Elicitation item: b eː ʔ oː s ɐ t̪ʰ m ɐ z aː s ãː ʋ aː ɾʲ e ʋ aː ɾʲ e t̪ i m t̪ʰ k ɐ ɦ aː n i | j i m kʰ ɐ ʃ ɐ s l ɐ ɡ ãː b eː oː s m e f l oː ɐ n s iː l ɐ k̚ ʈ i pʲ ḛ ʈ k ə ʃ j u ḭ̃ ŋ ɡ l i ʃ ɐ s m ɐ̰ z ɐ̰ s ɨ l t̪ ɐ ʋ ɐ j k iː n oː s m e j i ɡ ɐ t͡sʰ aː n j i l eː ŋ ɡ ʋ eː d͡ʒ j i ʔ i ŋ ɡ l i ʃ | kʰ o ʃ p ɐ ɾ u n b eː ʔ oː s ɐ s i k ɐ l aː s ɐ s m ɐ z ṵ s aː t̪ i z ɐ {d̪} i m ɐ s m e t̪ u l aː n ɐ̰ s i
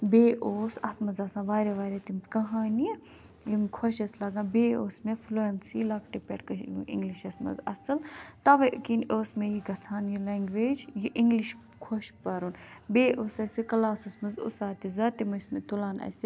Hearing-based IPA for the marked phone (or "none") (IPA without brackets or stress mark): t̪